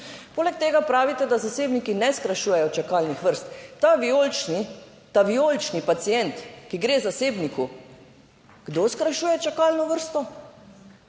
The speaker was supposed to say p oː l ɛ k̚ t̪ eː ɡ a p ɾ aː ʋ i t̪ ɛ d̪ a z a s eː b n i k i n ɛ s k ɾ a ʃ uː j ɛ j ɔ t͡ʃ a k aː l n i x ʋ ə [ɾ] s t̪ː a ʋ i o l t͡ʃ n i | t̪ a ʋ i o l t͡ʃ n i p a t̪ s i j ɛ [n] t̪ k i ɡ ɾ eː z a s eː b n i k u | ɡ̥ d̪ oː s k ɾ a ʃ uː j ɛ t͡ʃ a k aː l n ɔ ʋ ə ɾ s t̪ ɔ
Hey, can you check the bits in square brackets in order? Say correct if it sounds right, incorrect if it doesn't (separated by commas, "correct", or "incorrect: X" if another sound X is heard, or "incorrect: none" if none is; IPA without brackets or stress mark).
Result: correct, correct